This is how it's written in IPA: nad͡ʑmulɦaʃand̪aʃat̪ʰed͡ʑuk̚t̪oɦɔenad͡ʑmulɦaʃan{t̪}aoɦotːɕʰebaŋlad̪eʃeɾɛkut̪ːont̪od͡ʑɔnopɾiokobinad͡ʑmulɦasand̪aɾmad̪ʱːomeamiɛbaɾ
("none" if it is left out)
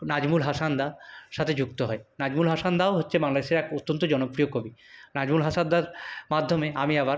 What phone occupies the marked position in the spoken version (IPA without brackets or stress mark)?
d̪